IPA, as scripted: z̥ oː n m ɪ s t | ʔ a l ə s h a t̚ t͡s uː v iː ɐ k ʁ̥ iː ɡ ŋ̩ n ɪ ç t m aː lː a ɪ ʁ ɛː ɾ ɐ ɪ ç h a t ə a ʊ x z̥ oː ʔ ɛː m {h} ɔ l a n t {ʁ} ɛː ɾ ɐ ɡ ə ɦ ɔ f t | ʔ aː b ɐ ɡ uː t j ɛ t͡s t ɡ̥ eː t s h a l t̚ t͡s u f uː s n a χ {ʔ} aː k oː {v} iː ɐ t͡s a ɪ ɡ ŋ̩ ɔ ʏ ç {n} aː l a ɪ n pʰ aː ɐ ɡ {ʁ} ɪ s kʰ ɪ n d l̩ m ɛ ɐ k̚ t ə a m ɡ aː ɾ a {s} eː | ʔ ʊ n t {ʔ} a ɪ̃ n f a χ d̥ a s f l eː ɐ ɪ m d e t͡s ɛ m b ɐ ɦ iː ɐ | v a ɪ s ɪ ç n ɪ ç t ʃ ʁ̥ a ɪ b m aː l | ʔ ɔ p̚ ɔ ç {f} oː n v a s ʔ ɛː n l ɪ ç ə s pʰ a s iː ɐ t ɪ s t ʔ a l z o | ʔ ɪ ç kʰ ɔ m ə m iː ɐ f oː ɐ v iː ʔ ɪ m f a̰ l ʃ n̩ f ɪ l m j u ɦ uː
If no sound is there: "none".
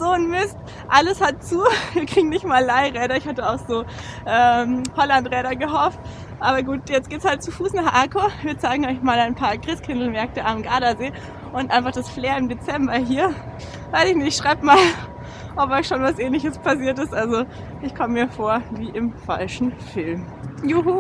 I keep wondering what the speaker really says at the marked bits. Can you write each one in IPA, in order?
h, ʁ, ʔ, v, m, ʁ, z, ʔ, ʃ

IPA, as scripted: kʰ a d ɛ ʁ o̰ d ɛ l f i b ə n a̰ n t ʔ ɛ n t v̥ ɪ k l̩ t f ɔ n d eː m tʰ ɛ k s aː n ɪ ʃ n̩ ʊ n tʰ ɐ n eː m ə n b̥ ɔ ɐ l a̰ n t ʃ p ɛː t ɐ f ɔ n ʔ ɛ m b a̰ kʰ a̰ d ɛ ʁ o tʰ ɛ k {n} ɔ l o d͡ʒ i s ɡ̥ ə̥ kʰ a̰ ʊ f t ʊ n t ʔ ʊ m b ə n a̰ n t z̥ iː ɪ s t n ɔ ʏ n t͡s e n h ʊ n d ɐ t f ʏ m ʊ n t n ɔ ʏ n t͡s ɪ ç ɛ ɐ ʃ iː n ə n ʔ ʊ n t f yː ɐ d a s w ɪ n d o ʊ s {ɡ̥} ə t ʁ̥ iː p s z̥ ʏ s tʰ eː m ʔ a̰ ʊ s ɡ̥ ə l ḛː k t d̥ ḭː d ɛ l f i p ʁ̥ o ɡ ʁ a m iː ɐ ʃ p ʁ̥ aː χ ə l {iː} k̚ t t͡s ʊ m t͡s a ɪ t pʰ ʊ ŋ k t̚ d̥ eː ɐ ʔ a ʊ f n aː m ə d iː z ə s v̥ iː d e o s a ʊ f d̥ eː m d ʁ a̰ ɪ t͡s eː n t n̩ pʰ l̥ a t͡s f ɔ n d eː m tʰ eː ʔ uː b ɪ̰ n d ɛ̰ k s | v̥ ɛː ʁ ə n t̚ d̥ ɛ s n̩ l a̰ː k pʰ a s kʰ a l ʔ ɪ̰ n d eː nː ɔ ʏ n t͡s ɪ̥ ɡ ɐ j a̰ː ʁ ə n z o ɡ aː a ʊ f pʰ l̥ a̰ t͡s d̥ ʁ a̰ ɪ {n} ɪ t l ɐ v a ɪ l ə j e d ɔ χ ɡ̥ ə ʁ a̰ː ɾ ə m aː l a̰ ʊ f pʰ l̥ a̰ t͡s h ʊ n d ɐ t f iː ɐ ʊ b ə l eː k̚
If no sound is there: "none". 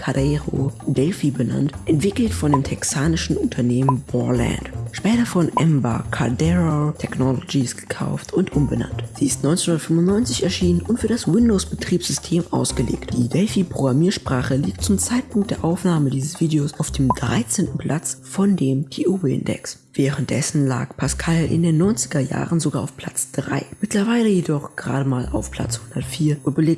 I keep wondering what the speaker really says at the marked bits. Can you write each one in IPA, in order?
n, b̥, iː, m

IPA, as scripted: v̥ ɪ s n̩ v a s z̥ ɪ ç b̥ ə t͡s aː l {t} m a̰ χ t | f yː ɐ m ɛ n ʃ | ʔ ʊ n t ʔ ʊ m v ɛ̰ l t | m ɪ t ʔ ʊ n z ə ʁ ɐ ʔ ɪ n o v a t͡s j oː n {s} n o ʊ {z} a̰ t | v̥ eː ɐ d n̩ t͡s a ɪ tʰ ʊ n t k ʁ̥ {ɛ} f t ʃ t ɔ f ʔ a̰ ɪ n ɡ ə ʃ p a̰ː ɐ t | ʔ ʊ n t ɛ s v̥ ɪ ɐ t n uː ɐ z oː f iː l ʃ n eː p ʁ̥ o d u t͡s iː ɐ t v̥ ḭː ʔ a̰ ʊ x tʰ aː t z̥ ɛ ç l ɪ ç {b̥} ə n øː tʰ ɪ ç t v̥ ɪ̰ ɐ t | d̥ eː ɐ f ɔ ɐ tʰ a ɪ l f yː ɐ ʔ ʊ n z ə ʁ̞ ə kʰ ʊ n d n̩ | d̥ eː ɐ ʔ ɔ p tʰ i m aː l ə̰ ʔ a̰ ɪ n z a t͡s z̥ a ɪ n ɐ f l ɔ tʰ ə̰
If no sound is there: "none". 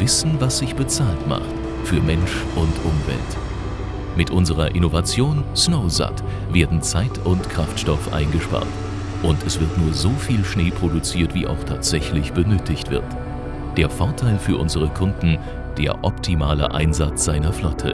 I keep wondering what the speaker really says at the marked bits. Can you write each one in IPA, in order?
t, s, z, a, b̥

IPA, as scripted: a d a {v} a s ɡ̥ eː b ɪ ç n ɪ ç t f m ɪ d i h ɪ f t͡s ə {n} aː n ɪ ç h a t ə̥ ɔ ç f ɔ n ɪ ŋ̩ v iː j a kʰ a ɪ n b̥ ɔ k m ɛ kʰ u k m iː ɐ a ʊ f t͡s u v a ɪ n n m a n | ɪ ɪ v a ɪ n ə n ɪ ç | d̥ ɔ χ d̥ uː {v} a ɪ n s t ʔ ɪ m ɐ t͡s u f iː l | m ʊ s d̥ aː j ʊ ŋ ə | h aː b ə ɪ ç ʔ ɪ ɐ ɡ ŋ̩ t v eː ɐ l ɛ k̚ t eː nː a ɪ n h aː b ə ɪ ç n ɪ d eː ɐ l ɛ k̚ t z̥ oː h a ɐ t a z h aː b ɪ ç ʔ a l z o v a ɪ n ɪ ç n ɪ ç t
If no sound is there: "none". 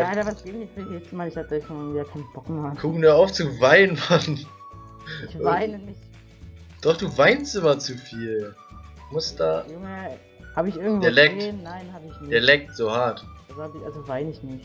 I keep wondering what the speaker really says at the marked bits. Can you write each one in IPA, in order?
v, m, v

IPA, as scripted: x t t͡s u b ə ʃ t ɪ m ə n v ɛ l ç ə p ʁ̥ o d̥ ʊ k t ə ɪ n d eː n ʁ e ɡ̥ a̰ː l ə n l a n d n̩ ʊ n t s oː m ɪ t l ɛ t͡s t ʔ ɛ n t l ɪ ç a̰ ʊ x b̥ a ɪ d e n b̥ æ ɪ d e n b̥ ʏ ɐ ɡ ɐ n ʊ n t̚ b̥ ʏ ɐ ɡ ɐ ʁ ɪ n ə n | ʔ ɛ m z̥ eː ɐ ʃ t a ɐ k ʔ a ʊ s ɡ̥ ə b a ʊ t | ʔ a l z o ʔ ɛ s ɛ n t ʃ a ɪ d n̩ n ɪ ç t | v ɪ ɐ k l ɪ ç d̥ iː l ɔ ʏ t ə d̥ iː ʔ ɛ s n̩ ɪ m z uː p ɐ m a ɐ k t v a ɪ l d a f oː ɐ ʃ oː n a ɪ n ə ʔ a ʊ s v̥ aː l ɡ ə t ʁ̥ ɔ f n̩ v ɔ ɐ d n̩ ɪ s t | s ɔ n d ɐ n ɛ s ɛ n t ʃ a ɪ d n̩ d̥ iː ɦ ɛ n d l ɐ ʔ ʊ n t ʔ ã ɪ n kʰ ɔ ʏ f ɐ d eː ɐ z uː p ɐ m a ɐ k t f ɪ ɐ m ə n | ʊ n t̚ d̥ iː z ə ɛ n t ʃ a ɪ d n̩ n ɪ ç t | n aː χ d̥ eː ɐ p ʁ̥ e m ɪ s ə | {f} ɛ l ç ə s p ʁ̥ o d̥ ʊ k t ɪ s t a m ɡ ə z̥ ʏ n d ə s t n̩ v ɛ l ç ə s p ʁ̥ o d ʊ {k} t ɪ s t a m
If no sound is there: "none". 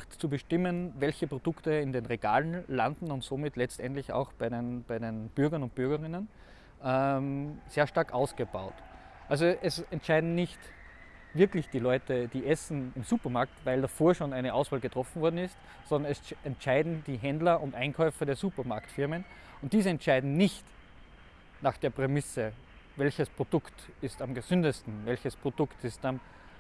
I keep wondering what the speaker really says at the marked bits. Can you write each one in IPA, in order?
v, k

